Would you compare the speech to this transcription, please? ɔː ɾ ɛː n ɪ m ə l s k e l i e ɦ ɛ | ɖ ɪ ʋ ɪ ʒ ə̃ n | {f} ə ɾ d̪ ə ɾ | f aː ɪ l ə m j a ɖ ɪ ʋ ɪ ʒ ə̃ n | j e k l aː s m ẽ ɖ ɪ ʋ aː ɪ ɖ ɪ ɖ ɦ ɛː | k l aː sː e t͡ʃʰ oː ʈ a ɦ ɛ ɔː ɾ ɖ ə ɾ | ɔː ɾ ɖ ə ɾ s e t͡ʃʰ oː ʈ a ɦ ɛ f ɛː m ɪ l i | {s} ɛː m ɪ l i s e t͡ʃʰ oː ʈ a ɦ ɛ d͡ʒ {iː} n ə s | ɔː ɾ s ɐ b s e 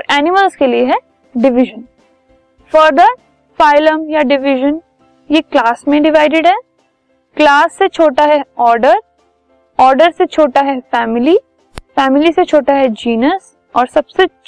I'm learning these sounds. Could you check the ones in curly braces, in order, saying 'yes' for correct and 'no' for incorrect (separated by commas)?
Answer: yes, no, yes